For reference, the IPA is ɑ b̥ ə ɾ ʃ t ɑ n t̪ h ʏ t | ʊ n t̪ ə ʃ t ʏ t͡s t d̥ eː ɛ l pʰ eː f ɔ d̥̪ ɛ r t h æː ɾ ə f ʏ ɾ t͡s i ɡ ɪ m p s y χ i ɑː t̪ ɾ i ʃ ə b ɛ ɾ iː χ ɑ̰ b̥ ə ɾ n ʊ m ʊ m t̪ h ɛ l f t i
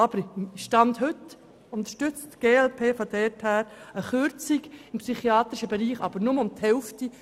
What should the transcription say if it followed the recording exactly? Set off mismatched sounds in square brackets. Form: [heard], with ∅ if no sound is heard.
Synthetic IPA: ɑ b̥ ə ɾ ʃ t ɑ n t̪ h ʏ t | ʊ n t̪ ə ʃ t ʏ t͡s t [ɡ̥] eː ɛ l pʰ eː f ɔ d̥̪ ɛ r t h æː ɾ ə [χ] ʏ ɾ t͡s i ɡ ɪ m p s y χ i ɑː t̪ ɾ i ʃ ə b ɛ ɾ iː χ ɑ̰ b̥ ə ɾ n ʊ m ʊ m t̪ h ɛ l f t i